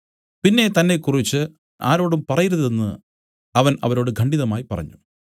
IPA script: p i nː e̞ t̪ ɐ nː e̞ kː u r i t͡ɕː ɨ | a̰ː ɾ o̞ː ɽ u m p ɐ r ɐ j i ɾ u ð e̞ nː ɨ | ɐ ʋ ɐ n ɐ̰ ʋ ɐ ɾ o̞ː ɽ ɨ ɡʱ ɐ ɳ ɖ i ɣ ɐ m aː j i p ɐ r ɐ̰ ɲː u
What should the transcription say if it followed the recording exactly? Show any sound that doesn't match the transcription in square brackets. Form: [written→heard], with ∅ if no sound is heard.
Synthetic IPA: p i nː e̞ t̪ ɐ nː e̞ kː u r i t͡ɕː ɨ | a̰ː ɾ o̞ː ɽ u m p ɐ r ɐ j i ɾ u ð e̞ nː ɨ | ɐ ʋ ɐ n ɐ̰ ʋ ɐ ɾ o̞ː ɽ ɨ ɡʱ ɐ ɳ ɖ i [ɣ→ð] ɐ m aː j i p ɐ r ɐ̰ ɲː u

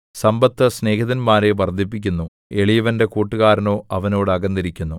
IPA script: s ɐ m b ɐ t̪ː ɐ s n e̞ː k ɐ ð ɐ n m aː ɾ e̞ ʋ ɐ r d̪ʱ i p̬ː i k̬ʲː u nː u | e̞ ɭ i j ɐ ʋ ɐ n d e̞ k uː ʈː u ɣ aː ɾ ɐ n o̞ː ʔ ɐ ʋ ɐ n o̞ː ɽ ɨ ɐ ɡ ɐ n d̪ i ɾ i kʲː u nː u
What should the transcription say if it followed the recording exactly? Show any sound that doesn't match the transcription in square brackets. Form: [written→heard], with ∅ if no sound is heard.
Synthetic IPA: s ɐ m b ɐ t̪ː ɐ s n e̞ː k ɐ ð ɐ n m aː ɾ e̞ ʋ ɐ r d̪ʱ i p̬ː i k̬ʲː u nː u | e̞ ɭ i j ɐ ʋ ɐ n d e̞ k uː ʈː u ɣ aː ɾ ɐ n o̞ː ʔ ɐ ʋ ɐ n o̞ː ɽ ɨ ɐ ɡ ɐ n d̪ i ɾ i kʲː u nː u

